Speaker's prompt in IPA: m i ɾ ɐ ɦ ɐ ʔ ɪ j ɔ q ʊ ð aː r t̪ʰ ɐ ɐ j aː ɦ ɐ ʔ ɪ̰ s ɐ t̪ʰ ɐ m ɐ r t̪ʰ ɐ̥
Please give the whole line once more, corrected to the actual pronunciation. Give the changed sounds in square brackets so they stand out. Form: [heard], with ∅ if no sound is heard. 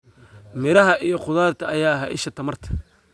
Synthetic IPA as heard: m [ɪ] ɾ ɐ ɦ ɐ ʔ [i] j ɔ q ʊ ð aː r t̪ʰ ɐ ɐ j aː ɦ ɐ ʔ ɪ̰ [ʃ] ɐ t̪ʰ ɐ m ɐ r t̪ʰ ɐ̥